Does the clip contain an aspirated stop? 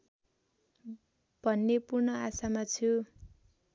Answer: yes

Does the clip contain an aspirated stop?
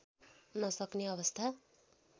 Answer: yes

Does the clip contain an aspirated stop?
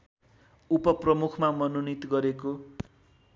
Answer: yes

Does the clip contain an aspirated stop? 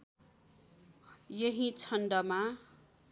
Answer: yes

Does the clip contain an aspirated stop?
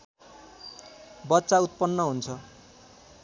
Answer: yes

